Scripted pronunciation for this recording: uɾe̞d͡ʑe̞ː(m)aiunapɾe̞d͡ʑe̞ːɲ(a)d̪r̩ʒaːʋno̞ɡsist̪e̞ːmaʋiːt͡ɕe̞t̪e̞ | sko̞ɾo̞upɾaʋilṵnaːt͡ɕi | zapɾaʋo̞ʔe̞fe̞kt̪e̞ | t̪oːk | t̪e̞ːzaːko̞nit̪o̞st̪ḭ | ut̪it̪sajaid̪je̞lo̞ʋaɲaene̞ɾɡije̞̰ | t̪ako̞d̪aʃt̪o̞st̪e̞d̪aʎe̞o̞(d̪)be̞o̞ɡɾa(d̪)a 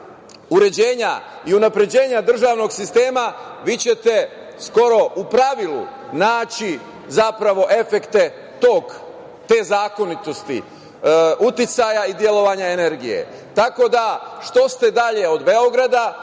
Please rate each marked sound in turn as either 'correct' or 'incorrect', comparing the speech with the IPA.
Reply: incorrect: ɲ, correct, correct, correct

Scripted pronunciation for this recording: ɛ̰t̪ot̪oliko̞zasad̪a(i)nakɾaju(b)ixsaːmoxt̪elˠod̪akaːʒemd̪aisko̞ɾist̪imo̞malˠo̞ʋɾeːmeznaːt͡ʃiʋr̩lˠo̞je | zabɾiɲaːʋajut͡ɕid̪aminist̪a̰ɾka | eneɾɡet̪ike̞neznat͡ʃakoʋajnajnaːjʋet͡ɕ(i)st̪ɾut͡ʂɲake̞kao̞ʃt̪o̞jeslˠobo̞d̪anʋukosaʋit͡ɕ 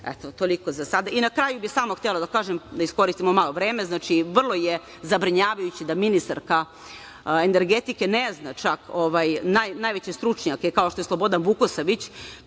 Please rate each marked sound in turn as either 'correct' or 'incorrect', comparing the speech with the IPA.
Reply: correct, correct, incorrect: e

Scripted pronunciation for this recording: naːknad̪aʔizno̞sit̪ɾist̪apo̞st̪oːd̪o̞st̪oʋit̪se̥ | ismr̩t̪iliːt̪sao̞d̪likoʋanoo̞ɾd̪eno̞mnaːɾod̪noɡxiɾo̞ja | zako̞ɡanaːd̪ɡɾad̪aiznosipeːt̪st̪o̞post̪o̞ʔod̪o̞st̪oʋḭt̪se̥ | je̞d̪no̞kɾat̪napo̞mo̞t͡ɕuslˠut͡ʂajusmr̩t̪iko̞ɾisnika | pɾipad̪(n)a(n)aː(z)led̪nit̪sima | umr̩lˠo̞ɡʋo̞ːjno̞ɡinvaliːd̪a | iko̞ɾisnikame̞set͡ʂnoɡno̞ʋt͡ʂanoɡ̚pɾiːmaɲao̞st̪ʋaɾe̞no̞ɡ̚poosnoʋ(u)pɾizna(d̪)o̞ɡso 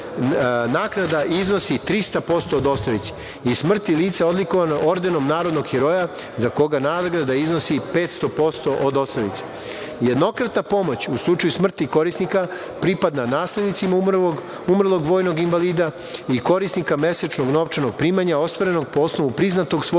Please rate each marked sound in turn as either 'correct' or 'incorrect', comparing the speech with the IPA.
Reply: correct, correct, incorrect: s, correct, incorrect: t̪

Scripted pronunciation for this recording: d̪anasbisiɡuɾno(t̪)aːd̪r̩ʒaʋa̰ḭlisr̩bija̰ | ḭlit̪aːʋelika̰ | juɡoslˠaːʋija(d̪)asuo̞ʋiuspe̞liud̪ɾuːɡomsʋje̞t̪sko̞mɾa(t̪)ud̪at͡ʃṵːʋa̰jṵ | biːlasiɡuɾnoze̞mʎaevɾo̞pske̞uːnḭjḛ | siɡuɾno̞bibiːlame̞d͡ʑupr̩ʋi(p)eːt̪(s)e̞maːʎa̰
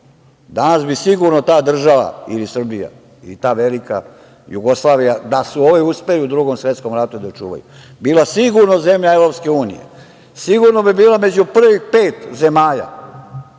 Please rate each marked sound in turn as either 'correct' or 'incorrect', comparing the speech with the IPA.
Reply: correct, correct, correct, correct, incorrect: z

